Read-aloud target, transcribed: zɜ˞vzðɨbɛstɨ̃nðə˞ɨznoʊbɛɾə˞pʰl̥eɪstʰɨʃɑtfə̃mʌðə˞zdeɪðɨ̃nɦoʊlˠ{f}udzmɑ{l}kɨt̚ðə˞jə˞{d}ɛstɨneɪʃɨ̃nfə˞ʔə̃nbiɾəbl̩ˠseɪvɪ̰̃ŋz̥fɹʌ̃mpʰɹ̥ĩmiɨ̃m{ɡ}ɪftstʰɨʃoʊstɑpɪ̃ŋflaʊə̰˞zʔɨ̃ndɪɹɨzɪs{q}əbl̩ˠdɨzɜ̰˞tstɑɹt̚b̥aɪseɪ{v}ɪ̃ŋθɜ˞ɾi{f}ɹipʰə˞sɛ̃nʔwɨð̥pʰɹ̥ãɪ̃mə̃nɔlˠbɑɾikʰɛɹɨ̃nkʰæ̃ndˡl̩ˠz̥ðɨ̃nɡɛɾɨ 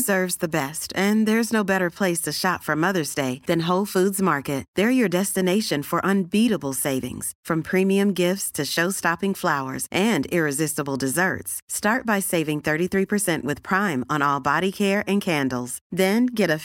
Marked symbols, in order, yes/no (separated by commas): yes, no, yes, yes, no, yes, no